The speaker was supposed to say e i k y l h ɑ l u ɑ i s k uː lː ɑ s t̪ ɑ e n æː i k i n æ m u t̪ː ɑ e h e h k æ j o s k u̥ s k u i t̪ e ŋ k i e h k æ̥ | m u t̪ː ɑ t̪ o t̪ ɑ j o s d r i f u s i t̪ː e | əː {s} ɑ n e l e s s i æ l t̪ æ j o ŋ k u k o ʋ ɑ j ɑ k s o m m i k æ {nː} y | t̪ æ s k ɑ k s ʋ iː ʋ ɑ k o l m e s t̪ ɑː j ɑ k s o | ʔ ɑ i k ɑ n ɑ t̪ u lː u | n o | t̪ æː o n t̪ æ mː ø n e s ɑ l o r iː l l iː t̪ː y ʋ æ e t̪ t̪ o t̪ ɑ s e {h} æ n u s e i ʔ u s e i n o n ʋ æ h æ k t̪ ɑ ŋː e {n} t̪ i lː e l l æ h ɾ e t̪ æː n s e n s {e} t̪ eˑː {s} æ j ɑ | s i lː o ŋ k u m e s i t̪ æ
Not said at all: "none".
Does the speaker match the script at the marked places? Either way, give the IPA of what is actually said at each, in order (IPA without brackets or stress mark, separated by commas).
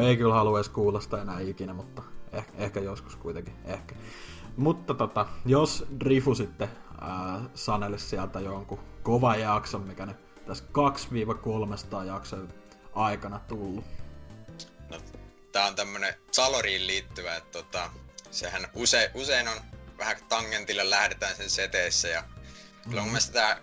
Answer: s, n, h, n, e, sː